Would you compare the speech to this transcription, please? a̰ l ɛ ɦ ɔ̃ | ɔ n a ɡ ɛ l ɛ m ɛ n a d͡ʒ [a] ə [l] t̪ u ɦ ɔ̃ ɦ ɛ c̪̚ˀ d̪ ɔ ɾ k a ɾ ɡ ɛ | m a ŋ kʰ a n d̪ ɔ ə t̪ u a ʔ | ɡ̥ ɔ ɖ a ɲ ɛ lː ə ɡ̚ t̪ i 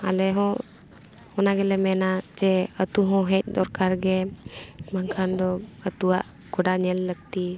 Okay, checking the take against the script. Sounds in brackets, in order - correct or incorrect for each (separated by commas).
incorrect, incorrect